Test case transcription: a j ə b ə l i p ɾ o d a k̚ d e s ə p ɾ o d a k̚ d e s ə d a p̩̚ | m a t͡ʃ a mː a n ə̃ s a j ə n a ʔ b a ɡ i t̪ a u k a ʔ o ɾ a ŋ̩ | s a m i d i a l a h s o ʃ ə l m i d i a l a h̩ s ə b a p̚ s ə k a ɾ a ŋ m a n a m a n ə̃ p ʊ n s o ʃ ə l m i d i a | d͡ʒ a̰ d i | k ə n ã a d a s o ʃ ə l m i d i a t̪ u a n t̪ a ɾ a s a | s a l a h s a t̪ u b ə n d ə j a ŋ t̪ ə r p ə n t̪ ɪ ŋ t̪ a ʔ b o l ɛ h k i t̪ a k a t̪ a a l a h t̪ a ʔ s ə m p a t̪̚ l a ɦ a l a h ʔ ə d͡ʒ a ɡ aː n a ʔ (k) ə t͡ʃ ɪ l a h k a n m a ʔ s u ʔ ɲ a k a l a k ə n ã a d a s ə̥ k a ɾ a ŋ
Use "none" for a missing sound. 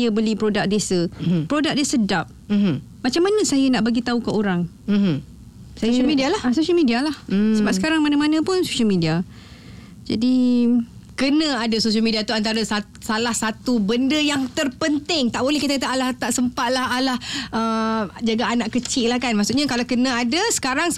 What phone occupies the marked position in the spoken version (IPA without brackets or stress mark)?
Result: k